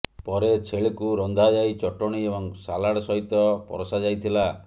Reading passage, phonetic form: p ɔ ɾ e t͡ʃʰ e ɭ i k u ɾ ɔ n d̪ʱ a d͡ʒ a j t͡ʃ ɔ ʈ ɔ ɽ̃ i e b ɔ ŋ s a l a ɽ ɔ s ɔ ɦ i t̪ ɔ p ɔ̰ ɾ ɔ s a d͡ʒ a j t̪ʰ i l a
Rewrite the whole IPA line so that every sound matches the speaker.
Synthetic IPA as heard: p ɔ ɾ e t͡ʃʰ e ɭ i k u ɾ ɔ n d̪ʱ a d͡ʒ a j t͡ʃ ɔ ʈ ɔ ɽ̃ i e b ɔ ŋ s a l a ɽ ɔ s ɔ ɦ i t̪ ɔ p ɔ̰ ɾ ɔ s a d͡ʒ a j t̪ʰ i l a